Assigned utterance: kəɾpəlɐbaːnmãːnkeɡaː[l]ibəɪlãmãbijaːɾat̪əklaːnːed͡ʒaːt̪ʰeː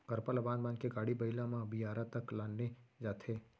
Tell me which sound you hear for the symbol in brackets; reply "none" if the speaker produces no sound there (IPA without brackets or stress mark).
ɽ